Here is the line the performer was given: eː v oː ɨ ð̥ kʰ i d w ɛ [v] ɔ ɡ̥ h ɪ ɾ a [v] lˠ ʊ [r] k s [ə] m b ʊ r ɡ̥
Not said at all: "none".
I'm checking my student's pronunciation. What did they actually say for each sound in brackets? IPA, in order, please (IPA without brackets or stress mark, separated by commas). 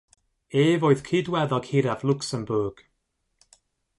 ð, v, none, ə